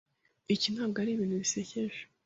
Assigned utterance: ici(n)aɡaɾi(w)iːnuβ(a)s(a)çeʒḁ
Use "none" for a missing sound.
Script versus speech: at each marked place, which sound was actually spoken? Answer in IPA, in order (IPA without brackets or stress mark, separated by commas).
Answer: n, β, i, e